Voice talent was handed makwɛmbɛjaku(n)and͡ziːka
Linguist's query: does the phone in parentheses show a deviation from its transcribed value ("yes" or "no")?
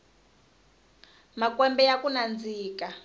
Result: no